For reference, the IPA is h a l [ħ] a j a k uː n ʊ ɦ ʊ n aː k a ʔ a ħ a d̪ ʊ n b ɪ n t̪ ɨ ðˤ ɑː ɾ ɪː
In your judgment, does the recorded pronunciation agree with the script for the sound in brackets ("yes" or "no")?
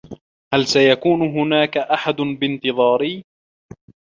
no